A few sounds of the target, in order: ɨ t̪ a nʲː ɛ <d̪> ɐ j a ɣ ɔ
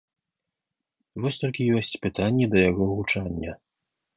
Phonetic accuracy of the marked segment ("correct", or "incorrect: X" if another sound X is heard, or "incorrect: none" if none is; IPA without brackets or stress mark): correct